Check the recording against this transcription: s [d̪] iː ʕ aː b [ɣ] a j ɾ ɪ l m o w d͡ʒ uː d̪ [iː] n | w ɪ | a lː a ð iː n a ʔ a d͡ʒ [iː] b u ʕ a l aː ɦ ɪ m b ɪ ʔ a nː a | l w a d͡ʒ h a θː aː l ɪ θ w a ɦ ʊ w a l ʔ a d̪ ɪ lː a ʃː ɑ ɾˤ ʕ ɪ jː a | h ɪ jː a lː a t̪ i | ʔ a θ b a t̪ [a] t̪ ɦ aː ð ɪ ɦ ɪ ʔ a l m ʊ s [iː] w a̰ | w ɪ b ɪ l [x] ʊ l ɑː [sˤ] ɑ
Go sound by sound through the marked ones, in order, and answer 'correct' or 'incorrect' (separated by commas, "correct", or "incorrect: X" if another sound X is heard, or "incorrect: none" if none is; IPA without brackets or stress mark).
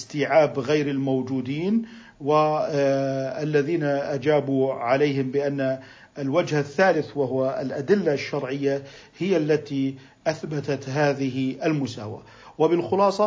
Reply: incorrect: t̪, correct, correct, incorrect: aː, correct, incorrect: aː, correct, correct